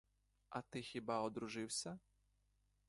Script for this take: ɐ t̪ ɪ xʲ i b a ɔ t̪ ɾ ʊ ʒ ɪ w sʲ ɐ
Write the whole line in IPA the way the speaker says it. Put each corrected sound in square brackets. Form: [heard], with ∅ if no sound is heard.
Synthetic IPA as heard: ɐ t̪ ɪ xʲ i b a ɔ [d̪] ɾ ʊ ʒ ɪ w sʲ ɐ